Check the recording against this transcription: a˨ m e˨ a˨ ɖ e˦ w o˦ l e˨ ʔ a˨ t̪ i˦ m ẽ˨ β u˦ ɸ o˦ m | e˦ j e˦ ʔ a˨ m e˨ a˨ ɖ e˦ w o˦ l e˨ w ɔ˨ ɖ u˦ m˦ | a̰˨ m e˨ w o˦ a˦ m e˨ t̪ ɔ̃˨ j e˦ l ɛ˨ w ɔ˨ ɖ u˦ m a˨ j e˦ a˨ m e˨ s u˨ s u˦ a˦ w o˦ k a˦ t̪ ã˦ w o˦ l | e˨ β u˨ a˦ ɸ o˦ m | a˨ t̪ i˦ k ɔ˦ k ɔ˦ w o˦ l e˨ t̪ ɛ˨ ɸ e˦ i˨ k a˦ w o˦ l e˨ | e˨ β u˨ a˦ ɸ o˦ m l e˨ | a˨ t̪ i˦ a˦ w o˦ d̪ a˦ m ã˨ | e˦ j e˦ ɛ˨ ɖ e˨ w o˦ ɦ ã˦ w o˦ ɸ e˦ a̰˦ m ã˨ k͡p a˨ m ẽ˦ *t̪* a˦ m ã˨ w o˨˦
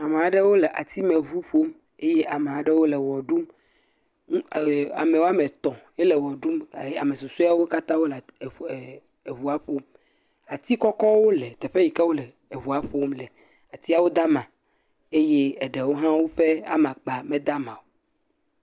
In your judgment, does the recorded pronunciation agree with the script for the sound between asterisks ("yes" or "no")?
no